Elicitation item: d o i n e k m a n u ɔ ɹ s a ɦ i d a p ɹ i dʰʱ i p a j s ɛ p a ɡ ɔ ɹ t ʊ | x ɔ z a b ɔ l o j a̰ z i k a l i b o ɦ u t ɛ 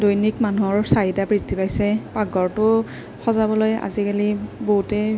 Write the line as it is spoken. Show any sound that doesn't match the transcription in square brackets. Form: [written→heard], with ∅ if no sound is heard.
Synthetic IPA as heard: d o [i→j] n [e→i] k m a n u ɔ ɹ s a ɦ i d a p ɹ i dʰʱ i p a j s ɛ p a ɡ ɔ ɹ t ʊ | x ɔ z a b ɔ l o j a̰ z i k a l i b o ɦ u t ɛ